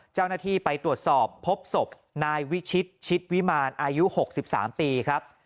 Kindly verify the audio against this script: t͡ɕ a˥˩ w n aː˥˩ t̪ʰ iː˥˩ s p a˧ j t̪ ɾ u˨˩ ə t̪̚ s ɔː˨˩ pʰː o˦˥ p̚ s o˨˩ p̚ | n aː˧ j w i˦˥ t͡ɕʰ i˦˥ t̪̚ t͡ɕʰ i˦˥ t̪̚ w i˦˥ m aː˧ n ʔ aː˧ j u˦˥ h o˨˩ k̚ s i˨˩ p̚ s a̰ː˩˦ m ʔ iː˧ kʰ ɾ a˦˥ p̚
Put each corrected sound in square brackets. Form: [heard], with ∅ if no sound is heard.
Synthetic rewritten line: t͡ɕ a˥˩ w n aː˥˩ t̪ʰ iː˥˩ [∅] p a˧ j t̪ ɾ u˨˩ ə t̪̚ s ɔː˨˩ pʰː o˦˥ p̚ s o˨˩ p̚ | n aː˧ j w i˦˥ t͡ɕʰ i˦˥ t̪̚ t͡ɕʰ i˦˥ t̪̚ w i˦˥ m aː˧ n ʔ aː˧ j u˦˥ h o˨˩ k̚ s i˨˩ p̚ s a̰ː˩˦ m [p] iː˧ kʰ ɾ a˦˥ p̚

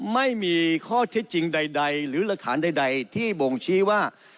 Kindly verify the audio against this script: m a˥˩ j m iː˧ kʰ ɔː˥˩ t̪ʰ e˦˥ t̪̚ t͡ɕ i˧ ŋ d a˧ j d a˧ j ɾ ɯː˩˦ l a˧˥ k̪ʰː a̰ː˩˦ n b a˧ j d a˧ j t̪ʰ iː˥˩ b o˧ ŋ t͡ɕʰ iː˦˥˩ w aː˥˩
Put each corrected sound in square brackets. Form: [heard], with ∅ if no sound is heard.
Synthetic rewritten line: m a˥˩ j m iː˧ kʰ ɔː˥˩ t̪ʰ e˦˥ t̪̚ t͡ɕ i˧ ŋ d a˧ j d a˧ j ɾ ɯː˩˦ l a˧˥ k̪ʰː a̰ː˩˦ n [d] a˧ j d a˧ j t̪ʰ iː˥˩ b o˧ ŋ t͡ɕʰ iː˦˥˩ w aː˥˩

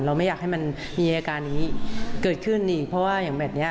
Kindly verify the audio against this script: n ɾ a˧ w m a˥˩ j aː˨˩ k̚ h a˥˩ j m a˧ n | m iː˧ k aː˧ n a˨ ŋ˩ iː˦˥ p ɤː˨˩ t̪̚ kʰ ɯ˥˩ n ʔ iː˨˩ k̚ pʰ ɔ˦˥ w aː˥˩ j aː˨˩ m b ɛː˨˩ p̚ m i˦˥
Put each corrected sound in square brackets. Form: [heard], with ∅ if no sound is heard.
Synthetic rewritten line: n ɾ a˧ w m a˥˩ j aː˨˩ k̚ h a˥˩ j m a˧ n | m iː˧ k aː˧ n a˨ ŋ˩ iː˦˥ [k] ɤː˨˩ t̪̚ kʰ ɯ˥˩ n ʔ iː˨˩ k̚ pʰ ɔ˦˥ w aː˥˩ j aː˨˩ [ŋ] b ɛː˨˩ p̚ [n] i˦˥

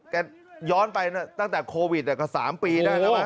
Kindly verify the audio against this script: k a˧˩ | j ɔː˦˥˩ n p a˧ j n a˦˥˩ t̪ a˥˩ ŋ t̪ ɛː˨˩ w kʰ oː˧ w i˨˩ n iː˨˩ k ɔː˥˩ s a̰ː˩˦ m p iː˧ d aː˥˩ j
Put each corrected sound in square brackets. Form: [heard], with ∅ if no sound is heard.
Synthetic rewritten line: k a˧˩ | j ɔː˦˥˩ n p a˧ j n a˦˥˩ t̪ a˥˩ ŋ t̪ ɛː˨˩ [∅] kʰ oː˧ w i˨˩ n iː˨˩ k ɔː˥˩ s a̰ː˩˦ m p iː˧ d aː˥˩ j

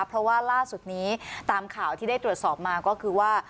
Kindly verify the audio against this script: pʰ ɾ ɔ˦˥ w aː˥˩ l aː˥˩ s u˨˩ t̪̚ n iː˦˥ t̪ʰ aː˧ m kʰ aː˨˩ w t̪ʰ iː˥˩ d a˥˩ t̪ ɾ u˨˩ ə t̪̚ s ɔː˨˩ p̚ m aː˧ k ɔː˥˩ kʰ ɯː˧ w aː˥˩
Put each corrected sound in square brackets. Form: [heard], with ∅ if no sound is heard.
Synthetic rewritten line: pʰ ɾ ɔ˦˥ w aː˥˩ l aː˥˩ s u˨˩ t̪̚ n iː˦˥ [t̪] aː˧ m kʰ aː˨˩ w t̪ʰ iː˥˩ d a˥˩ t̪ ɾ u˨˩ ə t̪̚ s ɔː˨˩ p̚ m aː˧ k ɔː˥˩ kʰ ɯː˧ w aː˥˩

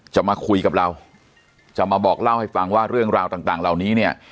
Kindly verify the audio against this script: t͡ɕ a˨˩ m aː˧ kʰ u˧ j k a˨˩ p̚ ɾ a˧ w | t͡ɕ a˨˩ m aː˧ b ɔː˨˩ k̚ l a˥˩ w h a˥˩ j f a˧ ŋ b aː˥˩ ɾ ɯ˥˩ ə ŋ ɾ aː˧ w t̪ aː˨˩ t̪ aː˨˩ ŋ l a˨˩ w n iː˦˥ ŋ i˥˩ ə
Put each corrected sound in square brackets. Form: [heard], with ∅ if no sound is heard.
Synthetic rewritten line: t͡ɕ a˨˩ m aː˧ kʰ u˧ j k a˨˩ p̚ ɾ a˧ w | t͡ɕ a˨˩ m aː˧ b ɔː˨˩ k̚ l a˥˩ w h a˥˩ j f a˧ ŋ [w] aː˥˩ ɾ ɯ˥˩ ə ŋ ɾ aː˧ w t̪ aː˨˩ t̪ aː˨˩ ŋ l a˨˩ w n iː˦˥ [n] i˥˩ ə

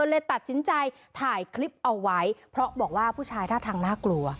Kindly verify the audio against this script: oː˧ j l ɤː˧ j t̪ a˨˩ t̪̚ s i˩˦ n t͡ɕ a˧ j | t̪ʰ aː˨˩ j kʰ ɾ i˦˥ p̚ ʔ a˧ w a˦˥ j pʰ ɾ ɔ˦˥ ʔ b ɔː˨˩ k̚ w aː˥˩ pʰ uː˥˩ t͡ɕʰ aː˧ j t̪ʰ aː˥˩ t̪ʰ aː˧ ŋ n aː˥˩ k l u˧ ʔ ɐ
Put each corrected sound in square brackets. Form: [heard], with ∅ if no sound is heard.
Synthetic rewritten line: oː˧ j l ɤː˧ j t̪ a˨˩ t̪̚ s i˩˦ n t͡ɕ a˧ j | t̪ʰ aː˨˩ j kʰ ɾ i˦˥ p̚ ʔ a˧ [wː] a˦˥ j pʰ ɾ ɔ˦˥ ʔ b ɔː˨˩ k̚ w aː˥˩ pʰ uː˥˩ t͡ɕʰ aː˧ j t̪ʰ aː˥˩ t̪ʰ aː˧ ŋ n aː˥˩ k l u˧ [∅] ɐ

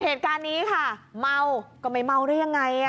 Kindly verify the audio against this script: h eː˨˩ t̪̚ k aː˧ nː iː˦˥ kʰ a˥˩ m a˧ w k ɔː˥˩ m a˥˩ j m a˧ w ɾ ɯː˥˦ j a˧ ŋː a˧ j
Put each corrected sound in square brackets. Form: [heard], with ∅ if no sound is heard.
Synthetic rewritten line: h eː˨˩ t̪̚ k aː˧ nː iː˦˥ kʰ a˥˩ m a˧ w k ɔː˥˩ m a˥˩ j m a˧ w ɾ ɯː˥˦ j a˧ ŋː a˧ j

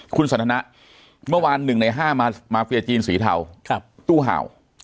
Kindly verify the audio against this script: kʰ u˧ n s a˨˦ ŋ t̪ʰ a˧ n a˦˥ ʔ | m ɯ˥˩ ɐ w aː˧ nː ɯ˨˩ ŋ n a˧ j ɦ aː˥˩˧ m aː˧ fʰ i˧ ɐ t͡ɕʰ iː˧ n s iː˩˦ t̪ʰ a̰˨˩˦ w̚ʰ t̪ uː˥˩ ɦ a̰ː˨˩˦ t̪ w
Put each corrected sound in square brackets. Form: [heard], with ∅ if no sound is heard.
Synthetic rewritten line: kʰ u˧ n s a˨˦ [n] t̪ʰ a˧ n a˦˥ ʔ | m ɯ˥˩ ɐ w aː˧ nː ɯ˨˩ ŋ n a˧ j ɦ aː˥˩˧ m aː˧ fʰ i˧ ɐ [t͡ɕ] iː˧ n s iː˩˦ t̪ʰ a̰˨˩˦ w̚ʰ t̪ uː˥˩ ɦ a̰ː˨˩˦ [∅] w

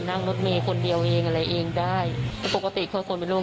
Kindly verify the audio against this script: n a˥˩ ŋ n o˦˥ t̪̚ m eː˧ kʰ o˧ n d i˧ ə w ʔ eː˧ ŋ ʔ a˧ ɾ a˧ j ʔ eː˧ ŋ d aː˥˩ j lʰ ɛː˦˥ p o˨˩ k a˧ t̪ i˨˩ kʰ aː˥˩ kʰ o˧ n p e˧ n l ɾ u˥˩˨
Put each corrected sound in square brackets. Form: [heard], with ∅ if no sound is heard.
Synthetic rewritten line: n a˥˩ ŋ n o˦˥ t̪̚ m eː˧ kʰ o˧ n d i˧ ə w ʔ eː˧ ŋ ʔ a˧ ɾ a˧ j ʔ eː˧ ŋ d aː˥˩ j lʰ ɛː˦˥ p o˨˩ k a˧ t̪ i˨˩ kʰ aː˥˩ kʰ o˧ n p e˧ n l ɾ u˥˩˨

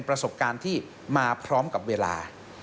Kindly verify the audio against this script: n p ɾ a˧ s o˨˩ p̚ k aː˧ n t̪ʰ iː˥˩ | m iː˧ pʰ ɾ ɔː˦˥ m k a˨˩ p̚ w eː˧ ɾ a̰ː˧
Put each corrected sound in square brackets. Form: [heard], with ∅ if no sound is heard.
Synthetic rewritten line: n p ɾ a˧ s o˨˩ p̚ k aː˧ n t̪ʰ iː˥˩ | m [aː˧] pʰ ɾ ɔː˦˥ m k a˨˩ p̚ w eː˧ [l] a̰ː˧

